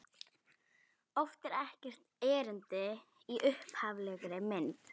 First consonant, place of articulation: labial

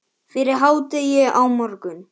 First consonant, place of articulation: labial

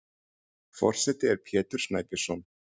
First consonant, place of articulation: labial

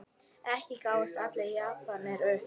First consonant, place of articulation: glottal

